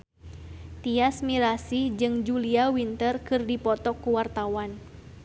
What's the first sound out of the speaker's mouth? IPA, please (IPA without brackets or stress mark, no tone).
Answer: t̪